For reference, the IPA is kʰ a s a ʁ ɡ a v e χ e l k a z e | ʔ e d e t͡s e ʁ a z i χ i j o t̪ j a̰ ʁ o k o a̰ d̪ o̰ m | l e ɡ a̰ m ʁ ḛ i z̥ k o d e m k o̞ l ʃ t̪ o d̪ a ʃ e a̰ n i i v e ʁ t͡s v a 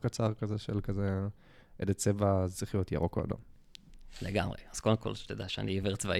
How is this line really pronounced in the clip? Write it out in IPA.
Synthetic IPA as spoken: k a t͡s a ʁ k a z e ʃ e l k a z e | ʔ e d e t͡s e v a z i χ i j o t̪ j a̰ ʁ o k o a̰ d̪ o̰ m | l e ɡ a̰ m ʁ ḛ a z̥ k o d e m k o̞ l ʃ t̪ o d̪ a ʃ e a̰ n i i v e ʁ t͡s v a